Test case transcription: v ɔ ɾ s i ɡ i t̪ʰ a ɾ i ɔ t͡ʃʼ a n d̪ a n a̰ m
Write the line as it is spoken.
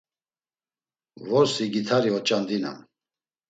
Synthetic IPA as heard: v ɔ ɾ s i ɡ i t̪ʰ a ɾ i ɔ t͡ʃʼ a n d̪ i n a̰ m